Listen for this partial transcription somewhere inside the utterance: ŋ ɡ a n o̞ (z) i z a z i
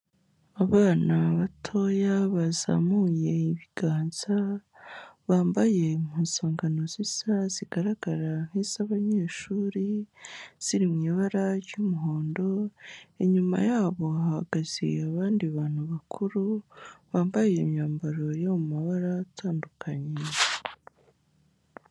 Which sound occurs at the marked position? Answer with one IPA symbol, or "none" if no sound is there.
z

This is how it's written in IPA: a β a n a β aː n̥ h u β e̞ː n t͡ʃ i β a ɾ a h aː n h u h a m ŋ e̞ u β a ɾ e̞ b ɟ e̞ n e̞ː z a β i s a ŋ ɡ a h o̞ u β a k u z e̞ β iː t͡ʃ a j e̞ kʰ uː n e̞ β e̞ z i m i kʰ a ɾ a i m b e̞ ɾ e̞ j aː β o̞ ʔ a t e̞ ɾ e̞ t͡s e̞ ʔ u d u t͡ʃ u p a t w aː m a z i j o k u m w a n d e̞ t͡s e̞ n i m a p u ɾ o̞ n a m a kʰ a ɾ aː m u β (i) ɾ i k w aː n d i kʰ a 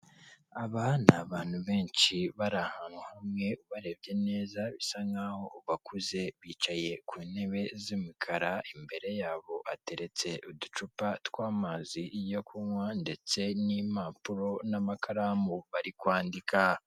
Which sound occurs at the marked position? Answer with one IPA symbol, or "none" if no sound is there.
a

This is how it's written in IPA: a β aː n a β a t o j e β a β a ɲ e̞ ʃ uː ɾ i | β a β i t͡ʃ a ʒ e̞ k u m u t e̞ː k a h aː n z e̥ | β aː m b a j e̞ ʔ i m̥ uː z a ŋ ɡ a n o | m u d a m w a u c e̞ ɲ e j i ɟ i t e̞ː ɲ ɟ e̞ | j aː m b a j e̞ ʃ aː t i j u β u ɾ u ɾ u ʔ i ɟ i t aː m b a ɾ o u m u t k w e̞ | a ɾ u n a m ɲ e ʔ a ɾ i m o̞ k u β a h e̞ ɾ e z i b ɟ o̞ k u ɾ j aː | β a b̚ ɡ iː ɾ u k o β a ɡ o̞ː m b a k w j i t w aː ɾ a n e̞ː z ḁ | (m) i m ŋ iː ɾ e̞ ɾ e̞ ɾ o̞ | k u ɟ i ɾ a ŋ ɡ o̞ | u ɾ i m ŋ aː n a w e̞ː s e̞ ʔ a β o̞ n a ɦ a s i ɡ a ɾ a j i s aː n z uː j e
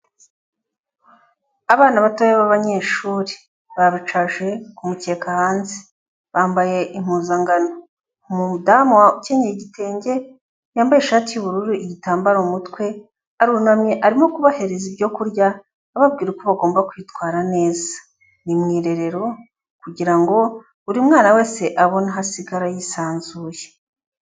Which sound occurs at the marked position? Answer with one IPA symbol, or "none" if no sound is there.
n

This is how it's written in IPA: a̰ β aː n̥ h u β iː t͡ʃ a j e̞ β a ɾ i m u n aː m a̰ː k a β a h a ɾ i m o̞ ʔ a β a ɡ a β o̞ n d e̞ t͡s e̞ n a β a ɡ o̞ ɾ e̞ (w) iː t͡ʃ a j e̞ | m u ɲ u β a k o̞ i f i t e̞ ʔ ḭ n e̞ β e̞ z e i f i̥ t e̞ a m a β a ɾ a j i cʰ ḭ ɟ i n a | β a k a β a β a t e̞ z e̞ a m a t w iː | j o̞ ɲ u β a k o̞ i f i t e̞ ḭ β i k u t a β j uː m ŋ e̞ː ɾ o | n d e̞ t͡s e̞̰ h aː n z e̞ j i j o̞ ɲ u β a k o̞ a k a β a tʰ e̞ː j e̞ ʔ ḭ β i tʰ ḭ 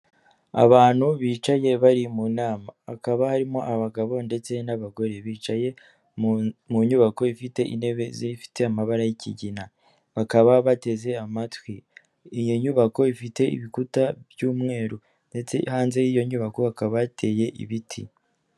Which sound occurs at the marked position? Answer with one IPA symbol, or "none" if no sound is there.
β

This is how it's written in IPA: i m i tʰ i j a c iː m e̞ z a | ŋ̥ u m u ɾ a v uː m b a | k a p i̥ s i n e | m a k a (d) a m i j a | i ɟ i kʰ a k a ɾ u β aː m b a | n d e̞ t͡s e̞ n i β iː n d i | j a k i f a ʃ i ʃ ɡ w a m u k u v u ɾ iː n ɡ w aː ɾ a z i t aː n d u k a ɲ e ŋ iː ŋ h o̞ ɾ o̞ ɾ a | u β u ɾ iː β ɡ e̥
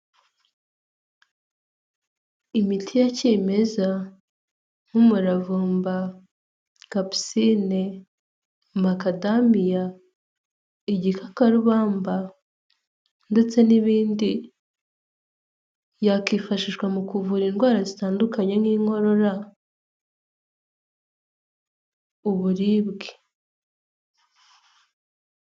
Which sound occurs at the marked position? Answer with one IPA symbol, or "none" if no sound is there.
d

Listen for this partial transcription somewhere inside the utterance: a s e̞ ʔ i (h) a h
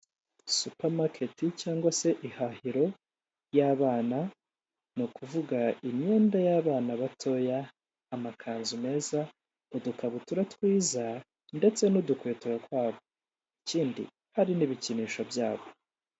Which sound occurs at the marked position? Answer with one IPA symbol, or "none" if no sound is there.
h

